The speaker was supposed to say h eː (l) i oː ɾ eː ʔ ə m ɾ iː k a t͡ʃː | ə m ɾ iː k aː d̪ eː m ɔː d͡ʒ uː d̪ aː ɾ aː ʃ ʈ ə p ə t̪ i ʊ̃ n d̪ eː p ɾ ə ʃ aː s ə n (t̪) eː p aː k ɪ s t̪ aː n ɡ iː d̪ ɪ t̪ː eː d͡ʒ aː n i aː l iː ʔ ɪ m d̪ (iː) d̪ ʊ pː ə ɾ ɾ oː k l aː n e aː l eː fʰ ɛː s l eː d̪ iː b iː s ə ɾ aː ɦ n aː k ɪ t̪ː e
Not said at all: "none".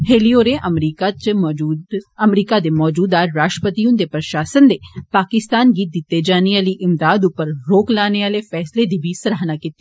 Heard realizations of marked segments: l, d̪, aː

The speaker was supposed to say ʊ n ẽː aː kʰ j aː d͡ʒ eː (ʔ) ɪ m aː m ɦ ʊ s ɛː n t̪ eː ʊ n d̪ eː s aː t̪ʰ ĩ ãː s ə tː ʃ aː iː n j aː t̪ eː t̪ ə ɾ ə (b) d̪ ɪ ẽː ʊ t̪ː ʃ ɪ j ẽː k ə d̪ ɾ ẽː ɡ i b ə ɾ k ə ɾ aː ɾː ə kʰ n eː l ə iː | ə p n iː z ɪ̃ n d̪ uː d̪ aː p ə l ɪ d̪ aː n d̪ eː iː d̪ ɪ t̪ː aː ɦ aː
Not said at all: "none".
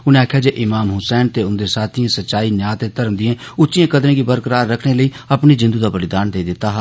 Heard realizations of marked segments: ʔ, m

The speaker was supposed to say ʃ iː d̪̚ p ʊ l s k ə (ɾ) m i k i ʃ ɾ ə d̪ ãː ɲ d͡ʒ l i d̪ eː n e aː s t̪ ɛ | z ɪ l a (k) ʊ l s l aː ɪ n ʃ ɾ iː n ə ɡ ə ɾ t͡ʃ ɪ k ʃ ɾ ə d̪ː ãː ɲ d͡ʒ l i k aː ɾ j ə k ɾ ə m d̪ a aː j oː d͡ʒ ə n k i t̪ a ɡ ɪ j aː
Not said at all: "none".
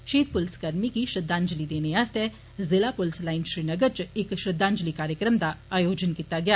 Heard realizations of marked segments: ɾ, p

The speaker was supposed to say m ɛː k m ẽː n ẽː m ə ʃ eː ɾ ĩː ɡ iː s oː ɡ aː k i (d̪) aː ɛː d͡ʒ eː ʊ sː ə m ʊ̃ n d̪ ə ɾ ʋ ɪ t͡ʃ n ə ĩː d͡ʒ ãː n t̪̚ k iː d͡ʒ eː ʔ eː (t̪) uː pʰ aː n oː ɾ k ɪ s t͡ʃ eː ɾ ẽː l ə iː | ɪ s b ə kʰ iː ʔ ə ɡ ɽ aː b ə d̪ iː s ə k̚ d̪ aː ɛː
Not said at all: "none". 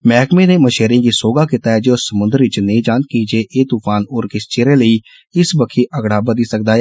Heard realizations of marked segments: t̪, t̪

